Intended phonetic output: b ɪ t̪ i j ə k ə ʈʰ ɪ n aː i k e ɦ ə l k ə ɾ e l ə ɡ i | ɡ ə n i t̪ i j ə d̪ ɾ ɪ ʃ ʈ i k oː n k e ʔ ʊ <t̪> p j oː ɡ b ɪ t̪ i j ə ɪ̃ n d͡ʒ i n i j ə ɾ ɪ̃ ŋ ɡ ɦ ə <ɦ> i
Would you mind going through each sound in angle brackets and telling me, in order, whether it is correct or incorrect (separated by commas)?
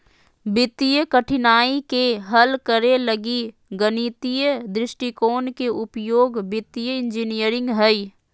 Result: incorrect, incorrect